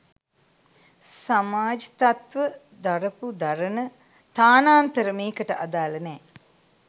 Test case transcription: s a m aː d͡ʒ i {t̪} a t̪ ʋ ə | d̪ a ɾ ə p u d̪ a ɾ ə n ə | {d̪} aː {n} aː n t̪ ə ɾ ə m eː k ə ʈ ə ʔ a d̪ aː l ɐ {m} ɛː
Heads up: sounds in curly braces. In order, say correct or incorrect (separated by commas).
correct, incorrect, correct, incorrect